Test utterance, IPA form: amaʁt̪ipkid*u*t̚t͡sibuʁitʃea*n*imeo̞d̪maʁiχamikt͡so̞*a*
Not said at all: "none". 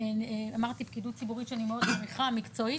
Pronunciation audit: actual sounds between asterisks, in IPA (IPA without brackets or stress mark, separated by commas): u, n, i